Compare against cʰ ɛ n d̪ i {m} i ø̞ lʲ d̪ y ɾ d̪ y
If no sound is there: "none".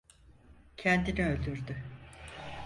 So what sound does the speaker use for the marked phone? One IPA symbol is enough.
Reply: n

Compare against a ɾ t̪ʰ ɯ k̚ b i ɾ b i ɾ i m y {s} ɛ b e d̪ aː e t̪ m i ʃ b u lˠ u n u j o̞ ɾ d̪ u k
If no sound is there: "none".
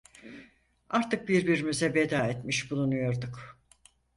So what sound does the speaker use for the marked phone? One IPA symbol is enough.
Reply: z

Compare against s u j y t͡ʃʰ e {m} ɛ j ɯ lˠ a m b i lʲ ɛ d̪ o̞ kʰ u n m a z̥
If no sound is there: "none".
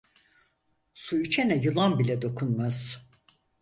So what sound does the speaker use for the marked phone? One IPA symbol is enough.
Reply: n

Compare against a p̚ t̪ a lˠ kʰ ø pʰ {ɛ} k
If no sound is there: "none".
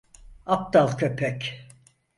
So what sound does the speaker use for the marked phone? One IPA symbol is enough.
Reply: ɛ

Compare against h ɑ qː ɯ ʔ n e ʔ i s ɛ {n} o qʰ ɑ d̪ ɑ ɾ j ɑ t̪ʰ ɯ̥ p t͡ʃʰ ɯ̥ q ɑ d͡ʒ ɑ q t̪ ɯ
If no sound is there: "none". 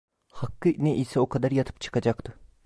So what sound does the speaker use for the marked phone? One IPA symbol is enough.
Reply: none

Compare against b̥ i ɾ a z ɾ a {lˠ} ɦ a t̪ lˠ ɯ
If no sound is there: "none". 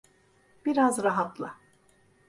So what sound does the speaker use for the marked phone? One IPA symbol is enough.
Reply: none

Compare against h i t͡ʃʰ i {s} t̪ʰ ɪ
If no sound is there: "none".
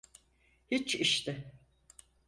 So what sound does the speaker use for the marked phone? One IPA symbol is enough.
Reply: ʃ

